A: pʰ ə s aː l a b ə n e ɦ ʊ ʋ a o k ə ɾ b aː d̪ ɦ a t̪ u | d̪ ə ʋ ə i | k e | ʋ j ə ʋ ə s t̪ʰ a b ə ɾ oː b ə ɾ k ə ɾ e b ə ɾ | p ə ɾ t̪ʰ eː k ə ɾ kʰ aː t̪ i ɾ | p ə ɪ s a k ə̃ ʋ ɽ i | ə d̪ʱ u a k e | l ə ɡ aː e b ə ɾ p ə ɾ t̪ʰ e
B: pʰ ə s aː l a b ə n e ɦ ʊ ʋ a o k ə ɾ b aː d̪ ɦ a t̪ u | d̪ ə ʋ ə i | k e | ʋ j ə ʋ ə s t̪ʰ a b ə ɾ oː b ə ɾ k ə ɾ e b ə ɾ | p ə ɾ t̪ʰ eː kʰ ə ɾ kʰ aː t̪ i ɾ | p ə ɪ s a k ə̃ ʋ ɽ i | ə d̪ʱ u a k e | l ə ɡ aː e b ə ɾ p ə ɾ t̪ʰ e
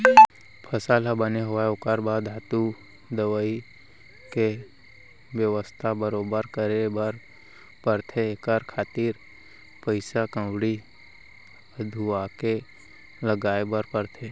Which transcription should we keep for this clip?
A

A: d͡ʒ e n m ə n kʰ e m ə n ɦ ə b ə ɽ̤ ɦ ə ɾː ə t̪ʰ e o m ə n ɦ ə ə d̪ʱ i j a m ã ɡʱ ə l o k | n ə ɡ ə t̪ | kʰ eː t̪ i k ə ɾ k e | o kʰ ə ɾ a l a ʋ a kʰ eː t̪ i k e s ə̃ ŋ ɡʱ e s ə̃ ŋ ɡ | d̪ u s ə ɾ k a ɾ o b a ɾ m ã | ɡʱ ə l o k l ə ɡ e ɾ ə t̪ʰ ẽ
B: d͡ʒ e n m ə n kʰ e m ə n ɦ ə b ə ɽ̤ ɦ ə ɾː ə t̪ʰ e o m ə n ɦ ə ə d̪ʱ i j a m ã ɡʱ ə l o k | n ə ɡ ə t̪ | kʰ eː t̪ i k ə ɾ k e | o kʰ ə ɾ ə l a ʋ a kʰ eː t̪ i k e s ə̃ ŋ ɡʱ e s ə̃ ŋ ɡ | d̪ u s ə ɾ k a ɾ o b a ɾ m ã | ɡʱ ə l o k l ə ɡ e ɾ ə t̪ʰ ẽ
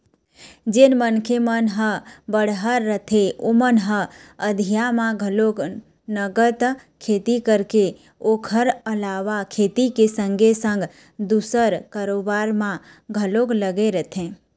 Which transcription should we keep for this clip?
B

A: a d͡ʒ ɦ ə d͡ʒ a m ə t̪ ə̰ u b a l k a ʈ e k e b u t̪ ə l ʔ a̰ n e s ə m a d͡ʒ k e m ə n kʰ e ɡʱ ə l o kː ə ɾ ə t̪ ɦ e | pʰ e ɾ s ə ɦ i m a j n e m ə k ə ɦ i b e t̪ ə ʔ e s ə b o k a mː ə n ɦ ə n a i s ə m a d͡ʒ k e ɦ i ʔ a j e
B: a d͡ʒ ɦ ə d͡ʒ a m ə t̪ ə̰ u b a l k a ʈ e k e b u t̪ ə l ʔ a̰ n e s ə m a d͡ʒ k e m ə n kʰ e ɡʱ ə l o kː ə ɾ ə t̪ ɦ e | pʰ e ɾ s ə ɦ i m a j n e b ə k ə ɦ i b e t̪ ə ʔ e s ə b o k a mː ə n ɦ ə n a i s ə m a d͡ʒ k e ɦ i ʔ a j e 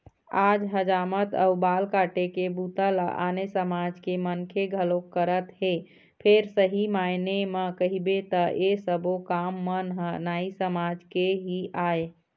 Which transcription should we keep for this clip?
A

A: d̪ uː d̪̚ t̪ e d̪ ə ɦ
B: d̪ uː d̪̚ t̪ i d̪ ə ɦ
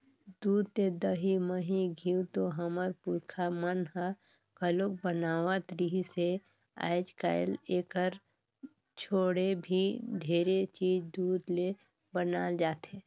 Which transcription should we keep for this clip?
A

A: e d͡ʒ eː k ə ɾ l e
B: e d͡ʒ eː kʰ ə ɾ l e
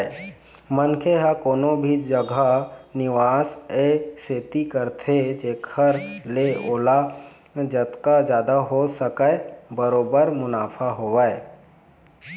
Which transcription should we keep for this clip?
B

